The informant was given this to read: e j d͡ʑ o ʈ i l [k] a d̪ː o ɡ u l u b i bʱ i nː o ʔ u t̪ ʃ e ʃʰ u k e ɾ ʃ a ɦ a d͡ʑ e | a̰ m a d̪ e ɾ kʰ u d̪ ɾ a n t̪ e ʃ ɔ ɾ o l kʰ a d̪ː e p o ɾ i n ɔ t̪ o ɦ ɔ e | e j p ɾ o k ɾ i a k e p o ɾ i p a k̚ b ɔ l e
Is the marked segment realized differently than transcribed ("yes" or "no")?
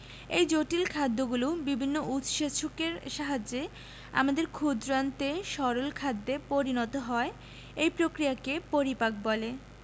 yes